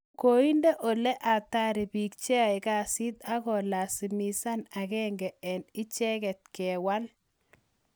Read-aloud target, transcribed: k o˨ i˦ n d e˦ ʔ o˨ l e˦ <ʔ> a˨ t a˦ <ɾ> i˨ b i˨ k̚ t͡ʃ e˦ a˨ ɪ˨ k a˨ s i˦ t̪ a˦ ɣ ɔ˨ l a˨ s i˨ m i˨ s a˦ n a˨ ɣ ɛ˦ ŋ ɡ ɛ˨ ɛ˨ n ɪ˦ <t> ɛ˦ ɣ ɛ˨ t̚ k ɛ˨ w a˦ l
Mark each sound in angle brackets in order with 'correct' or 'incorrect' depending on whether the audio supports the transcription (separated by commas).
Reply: correct, correct, incorrect